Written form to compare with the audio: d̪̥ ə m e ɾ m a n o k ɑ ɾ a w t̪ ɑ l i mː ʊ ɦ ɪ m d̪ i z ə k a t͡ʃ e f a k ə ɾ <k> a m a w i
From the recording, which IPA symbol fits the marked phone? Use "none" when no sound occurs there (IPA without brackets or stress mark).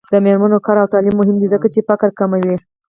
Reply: k